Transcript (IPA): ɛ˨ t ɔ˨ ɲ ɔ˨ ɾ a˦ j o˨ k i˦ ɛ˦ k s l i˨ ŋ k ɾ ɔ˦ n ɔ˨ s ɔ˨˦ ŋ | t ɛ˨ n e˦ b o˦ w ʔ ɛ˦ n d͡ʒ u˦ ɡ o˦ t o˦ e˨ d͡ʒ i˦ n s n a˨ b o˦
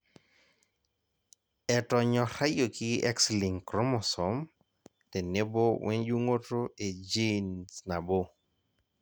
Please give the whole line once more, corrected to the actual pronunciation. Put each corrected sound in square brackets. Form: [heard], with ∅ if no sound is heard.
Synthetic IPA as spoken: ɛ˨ t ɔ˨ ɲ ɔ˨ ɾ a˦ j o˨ k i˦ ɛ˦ k s l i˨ ŋ k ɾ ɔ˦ [m] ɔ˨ s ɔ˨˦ [m] | t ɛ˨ n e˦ b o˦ w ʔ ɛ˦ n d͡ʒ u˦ [ŋ] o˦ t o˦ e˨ d͡ʒ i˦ n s n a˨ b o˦